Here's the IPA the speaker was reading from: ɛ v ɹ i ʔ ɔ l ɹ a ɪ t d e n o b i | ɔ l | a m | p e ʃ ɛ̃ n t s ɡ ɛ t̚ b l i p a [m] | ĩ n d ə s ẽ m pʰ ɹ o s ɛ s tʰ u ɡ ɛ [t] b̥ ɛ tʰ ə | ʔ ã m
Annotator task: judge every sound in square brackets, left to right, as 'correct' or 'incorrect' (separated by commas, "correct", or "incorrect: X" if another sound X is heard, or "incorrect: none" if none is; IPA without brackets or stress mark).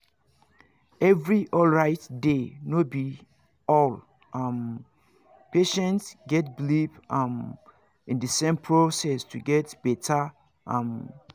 correct, correct